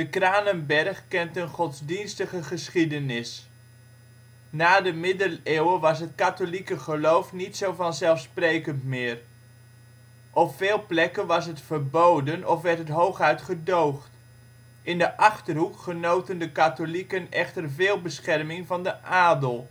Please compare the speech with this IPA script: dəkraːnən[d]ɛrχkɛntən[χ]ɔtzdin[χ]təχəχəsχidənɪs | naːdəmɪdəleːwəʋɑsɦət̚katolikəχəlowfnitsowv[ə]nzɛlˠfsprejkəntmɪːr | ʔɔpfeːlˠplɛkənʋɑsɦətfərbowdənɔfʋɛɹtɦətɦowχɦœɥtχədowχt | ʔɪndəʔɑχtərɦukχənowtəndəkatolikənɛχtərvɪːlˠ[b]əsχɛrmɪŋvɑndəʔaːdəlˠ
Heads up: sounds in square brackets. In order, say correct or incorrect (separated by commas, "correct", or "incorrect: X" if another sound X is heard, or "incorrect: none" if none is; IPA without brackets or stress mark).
incorrect: b, correct, incorrect: s, incorrect: ɑ, correct